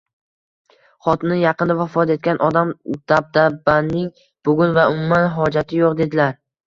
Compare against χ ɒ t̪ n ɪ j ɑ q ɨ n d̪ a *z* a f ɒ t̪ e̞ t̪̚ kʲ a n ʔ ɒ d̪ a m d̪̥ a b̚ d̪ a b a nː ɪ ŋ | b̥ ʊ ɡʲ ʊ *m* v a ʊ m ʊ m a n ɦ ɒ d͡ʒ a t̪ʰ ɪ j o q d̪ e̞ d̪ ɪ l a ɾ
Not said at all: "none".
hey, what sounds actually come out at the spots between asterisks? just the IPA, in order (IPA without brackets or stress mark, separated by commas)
v, n